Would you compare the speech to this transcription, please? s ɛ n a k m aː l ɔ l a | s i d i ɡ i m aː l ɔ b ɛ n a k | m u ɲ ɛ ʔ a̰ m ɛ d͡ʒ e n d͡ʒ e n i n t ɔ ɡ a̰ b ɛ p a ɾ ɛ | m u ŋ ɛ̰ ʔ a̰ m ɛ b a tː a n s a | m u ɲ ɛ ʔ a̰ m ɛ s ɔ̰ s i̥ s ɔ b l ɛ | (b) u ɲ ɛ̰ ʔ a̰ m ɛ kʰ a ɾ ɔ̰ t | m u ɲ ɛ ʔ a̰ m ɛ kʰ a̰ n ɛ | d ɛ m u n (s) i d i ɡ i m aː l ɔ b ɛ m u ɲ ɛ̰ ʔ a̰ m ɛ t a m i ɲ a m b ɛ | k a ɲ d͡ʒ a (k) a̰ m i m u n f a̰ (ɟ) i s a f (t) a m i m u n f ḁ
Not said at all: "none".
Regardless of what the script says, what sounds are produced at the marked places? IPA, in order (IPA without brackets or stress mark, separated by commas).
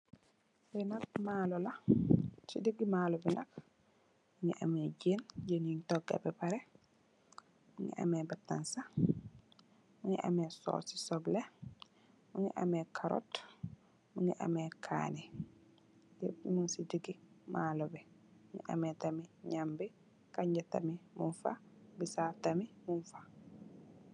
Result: m, s, t, b, t